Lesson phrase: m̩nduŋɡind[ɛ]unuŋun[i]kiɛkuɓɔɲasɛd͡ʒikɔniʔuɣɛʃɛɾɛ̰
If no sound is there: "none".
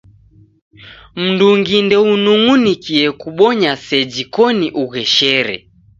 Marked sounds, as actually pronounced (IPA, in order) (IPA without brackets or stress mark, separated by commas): ɛ, i